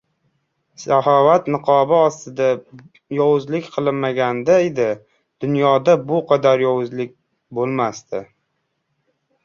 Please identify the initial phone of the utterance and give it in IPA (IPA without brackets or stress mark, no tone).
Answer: s